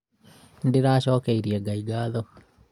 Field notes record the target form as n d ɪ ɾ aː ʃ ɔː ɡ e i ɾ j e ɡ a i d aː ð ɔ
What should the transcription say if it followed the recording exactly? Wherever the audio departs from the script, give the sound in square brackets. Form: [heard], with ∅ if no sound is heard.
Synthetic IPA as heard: n d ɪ ɾ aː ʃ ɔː [k] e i ɾ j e ɡ a i [ɡ] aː ð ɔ